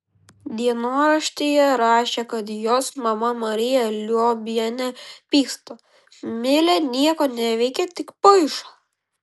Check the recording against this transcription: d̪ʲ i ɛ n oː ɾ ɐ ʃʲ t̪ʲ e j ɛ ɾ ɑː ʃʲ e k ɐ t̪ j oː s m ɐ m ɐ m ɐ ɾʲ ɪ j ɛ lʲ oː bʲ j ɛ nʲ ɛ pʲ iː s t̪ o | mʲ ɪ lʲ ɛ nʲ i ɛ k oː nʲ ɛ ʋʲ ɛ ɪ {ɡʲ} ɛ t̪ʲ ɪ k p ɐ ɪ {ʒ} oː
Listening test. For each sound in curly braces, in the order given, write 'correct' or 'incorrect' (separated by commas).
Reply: incorrect, incorrect